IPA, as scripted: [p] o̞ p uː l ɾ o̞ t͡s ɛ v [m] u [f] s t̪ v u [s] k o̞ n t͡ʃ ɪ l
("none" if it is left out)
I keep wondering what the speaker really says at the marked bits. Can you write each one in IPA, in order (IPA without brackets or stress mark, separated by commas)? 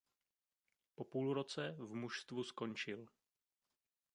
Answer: p, m, ʃ, s